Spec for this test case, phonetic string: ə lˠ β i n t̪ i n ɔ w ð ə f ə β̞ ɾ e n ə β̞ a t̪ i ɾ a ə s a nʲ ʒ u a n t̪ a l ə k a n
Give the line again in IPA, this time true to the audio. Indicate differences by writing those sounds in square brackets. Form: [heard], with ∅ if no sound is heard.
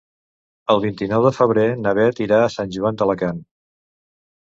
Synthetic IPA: ə lˠ β i n t̪ i n ɔ w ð ə f ə β̞ ɾ e n ə β̞ [ɛ] t̪ i ɾ a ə s a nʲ ʒ u a n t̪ [ə] l ə k a n